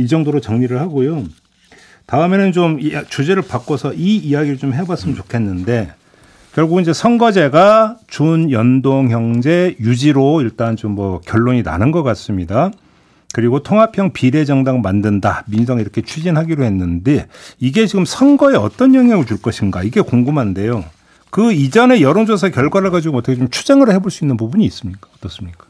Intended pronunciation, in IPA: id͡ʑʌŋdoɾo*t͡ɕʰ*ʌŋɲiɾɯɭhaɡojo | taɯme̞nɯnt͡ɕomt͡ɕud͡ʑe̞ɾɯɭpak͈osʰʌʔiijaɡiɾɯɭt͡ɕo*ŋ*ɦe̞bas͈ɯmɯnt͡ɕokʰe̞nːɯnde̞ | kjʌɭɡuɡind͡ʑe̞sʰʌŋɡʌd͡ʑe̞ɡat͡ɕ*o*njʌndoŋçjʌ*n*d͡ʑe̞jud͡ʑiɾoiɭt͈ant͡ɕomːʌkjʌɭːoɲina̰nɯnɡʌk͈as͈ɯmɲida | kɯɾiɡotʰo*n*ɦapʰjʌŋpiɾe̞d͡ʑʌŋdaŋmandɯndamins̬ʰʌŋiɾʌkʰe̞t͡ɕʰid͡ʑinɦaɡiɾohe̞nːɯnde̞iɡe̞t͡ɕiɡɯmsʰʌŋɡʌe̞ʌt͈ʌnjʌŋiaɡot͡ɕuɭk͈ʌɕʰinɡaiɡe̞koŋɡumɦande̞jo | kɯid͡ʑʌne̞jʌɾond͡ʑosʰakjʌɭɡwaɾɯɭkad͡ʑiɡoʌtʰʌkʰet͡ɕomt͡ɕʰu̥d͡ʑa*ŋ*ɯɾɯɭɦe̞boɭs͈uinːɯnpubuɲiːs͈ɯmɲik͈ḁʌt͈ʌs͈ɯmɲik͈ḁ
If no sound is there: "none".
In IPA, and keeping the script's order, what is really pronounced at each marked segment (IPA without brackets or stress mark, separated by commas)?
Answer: t͡ɕ, m, u, ŋ, ŋ, ŋ